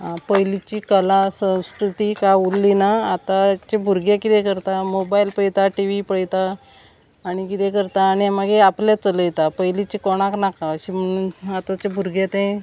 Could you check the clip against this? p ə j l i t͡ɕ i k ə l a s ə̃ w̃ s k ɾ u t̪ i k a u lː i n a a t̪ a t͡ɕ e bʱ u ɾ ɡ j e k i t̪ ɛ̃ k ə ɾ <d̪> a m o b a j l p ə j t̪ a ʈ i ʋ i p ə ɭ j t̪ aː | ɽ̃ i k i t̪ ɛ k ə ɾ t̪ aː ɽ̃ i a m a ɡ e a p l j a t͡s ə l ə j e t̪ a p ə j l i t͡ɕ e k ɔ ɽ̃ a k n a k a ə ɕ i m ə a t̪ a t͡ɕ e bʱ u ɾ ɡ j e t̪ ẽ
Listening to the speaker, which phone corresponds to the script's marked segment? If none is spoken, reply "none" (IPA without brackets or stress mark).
t̪